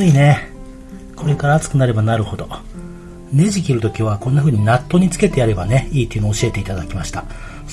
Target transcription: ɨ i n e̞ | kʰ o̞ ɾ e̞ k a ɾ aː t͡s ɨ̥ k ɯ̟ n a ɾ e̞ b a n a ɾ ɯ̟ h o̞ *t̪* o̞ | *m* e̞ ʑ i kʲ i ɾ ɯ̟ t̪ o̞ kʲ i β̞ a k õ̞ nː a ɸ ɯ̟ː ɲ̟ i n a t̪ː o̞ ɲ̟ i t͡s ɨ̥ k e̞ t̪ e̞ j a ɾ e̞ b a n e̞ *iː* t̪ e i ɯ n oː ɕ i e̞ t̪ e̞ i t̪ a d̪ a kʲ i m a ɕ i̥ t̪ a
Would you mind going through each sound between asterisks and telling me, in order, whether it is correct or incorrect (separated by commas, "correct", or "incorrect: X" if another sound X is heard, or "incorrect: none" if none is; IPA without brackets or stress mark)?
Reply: incorrect: d̪, incorrect: n, correct